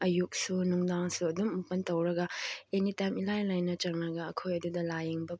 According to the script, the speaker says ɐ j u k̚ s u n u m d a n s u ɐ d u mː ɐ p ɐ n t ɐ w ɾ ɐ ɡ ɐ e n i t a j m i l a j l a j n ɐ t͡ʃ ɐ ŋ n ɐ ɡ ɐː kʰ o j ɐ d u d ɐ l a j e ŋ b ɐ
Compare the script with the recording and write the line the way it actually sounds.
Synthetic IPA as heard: ɐ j u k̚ s u n u ŋ d a ŋ s u ɐ d u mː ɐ p ɐ n t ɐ w ɾ ɐ ɡ ɐ e n i t a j m i l a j l a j n ɐ t͡ʃ ɐ ŋ n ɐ ɡ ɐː kʰ o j ɐ d u d ɐ l a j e ŋ b ɐ